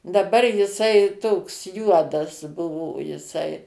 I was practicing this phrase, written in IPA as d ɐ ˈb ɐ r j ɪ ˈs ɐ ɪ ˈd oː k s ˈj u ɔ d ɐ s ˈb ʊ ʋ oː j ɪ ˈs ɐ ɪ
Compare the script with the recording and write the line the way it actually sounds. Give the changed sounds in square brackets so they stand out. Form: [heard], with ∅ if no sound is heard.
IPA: d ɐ ˈb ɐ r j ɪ ˈs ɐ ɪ [ˈt] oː k s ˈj u ɔ d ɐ s ˈb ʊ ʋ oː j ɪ ˈs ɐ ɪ